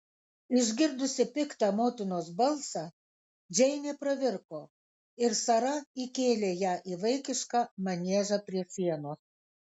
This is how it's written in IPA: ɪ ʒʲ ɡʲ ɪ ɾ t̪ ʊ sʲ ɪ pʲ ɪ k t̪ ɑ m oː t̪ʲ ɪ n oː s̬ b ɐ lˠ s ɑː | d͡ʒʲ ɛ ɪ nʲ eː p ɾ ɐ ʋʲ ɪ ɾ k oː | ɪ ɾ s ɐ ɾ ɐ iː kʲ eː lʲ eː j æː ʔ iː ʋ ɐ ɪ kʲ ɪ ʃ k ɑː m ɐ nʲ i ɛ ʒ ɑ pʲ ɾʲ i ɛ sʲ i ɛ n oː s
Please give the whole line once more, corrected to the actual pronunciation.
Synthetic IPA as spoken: ɪ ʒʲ ɡʲ ɪ ɾ d̪ ʊ sʲ ɪ pʲ ɪ k t̪ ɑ m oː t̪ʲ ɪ n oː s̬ b ɐ lˠ s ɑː | d͡ʒʲ ɛ ɪ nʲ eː p ɾ ɐ ʋʲ ɪ ɾ k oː | ɪ ɾ s ɐ ɾ ɐ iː kʲ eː lʲ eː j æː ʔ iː ʋ ɐ ɪ kʲ ɪ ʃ k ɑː m ɐ nʲ i ɛ ʒ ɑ pʲ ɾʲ i ɛ sʲ i ɛ n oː s

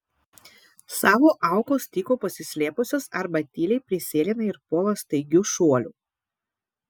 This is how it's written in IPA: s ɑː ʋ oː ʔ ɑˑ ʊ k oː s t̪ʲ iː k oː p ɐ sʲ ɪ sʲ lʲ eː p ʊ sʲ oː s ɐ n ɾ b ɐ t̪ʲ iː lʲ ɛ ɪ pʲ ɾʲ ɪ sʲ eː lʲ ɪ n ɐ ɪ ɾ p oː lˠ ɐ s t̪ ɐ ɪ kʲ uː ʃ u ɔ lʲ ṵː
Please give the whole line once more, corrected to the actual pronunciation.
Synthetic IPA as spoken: s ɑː ʋ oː ʔ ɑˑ ʊ k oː s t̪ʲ iː k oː p ɐ sʲ ɪ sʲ lʲ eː p ʊ sʲ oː s ɐ ɾ b ɐ t̪ʲ iː lʲ ɛ ɪ pʲ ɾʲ ɪ sʲ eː lʲ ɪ n ɐ ɪ ɾ p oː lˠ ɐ s t̪ ɐ ɪ ɡʲ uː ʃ u ɔ lʲ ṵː

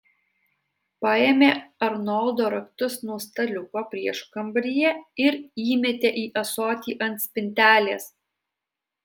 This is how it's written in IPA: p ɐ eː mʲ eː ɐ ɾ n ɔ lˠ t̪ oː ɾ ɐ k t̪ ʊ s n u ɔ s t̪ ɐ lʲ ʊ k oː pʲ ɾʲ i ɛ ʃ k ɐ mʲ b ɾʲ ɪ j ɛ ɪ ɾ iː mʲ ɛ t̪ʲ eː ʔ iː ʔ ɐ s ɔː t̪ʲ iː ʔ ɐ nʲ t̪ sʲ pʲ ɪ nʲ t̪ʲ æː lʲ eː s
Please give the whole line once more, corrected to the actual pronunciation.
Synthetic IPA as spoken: p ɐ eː mʲ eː ɐ ɾ n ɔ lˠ d̪ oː ɾ ɐ k t̪ ʊ s n u ɔ s t̪ ɐ lʲ ʊ k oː pʲ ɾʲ i ɛ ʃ k ɐ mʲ b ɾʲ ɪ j ɛ ɪ ɾ iː mʲ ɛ t̪ʲ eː ʔ iː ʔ ɐ s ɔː t̪ʲ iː ʔ ɐ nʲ t̪ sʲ pʲ ɪ nʲ t̪ʲ æː lʲ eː s

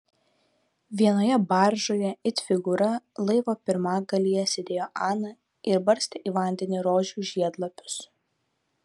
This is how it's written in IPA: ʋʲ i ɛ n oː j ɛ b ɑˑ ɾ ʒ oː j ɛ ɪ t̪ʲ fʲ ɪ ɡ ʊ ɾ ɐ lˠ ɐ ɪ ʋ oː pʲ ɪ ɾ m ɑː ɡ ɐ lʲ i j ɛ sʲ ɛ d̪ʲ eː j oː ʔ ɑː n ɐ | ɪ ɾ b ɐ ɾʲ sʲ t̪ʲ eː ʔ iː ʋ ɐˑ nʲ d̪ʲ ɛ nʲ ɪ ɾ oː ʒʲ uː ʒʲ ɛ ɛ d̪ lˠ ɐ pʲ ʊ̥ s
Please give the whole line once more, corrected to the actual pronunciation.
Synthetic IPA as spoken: ʋʲ i ɛ n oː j ɛ b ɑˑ ɾ ʒ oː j ɛ ɪ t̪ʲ fʲ ɪ ɡ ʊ ɾ ɐ lˠ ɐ ɪ ʋ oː pʲ ɪ ɾ m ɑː ɡ ɐ lʲ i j ɛ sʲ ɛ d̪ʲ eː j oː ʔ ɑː n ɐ | ɪ ɾ b ɐ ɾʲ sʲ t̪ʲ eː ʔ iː ʋ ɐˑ nʲ d̪ʲ ɛ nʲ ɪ ɾ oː ʒʲ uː ʒʲ i ɛ d̪ lˠ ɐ pʲ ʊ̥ s

